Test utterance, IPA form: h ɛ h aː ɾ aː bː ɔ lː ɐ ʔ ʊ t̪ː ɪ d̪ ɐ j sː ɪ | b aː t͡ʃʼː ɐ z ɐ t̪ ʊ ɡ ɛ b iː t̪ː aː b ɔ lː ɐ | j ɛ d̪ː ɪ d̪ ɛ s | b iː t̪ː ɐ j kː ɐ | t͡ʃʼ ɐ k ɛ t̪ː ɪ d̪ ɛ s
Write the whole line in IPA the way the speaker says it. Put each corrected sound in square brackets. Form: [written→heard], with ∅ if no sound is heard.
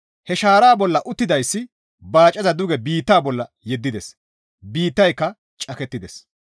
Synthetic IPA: h ɛ [h→ʃ] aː ɾ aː [bː→b] ɔ lː ɐ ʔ ʊ t̪ː ɪ d̪ ɐ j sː ɪ | b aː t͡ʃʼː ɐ z ɐ [t̪→d̪] ʊ ɡ ɛ b iː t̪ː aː b ɔ lː ɐ | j ɛ d̪ː ɪ d̪ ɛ s | b iː t̪ː ɐ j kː ɐ | t͡ʃʼ ɐ k ɛ t̪ː ɪ d̪ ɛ s